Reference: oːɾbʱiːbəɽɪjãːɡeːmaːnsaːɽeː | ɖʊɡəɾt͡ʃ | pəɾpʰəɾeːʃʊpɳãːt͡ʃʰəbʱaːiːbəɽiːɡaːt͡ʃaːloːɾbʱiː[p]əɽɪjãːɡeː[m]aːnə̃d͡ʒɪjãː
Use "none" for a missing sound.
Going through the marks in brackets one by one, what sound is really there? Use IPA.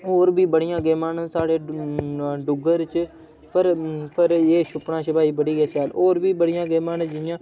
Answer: b, m

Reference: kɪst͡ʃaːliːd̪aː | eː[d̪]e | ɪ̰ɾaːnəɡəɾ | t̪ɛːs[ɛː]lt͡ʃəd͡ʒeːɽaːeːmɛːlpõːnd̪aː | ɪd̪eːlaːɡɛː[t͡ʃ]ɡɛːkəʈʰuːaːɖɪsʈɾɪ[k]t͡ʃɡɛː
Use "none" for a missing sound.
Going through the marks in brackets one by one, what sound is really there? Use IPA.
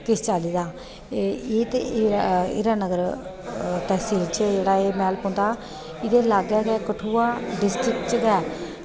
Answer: t̪, iː, none, k

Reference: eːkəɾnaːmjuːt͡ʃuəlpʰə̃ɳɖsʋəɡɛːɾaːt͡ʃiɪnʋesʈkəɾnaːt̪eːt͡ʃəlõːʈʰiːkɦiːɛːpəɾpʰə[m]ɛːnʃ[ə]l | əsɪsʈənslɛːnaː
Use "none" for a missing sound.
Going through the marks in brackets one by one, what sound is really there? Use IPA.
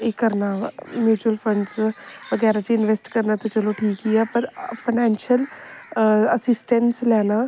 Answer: n, ə

